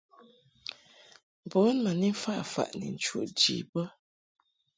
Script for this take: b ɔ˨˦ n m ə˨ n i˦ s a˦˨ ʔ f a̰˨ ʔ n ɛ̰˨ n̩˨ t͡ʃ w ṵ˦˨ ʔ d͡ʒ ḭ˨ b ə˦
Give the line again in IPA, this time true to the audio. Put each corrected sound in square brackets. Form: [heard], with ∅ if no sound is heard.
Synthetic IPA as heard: b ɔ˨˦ n m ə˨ n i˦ [f] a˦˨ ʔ f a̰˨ ʔ n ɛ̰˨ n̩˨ t͡ʃ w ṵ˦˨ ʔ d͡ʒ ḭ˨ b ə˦

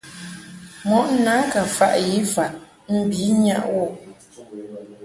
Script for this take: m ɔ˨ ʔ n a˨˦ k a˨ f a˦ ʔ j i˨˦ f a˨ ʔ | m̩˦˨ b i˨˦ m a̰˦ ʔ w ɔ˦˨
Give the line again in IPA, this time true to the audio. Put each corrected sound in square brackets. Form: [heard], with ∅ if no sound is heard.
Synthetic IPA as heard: m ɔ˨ ʔ n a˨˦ k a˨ f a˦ ʔ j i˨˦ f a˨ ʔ | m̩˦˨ b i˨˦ [ɲ] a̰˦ ʔ w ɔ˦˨

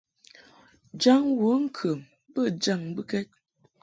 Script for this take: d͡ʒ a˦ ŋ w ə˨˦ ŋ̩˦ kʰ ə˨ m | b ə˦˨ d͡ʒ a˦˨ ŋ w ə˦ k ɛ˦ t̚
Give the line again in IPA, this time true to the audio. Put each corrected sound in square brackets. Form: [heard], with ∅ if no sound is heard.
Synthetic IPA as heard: d͡ʒ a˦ ŋ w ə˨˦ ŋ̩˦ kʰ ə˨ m | b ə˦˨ d͡ʒ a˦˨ ŋ [b] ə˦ k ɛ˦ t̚

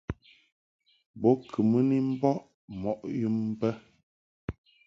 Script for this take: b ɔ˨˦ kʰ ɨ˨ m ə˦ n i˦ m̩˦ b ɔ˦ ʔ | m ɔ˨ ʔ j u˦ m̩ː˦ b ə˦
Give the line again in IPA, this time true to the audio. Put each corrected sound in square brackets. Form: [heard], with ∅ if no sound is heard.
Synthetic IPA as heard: b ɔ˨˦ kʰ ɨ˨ m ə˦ n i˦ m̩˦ b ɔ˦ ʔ | m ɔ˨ ʔ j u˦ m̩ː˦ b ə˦

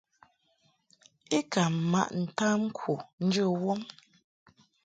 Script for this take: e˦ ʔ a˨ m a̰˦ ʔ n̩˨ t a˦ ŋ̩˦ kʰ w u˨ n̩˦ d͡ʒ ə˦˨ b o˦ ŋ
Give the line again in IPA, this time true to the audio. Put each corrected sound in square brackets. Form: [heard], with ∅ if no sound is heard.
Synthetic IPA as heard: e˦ [k] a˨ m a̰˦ ʔ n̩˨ t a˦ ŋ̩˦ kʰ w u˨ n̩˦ d͡ʒ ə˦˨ [w] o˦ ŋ

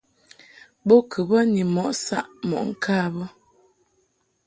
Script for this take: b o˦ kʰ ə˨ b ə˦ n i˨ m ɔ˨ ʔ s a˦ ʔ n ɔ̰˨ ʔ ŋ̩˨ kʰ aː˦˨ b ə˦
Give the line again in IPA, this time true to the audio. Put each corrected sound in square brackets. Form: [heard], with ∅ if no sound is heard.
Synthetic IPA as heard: b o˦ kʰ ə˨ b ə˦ n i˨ m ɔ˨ ʔ s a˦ ʔ [m] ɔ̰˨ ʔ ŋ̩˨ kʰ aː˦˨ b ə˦

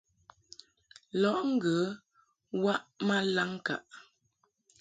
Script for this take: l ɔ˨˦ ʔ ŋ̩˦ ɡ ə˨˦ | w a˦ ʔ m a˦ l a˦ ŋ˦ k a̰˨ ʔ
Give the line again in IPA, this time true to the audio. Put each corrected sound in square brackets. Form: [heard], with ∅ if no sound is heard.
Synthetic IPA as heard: l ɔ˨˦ ʔ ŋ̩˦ ɡ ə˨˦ | w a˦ ʔ m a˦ l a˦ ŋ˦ k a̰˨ ʔ

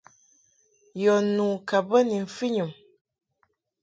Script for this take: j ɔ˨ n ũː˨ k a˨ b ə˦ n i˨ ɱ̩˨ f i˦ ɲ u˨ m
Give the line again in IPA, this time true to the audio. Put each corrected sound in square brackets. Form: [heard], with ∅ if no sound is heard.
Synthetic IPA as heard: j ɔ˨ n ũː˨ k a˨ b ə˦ n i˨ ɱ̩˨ f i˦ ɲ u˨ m

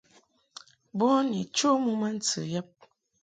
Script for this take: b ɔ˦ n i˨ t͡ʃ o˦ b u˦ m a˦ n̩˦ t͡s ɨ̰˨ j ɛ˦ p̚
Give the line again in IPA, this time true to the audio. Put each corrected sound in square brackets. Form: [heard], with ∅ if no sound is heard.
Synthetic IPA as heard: b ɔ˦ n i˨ t͡ʃ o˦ [m] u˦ m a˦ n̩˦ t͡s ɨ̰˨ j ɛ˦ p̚

